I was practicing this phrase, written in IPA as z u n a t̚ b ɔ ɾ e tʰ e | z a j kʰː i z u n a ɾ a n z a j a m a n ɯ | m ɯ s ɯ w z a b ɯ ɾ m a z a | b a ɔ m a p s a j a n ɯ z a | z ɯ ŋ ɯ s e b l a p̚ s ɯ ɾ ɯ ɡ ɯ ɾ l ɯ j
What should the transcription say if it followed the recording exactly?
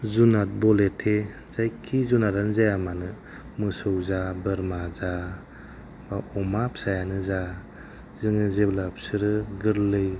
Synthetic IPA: z u n a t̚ b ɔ l e tʰ e | z a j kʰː i z u n a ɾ a n z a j a m a n ɯ | m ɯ s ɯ w z a b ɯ ɾ m a z a | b a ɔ m a p s a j a n ɯ z a | z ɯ ŋ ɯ z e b l a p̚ s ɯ ɾ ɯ ɡ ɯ ɾ l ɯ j